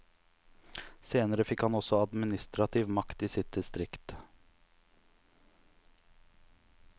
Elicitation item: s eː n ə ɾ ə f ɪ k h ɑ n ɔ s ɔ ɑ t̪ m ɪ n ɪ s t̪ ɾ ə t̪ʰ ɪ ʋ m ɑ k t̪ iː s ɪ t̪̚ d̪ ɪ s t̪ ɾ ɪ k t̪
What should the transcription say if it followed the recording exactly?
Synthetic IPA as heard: s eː n ə ɾ ə f ɪ k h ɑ n ɔ s ɔ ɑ d̪ m ɪ n ɪ s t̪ ɾ ɑ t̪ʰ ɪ ʋ m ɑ k t̪ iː s ɪ t̪̚ d̪ ɪ s t̪ ɾ ɪ k t̪